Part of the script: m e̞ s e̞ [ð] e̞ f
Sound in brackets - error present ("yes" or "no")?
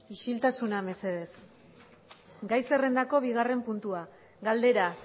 no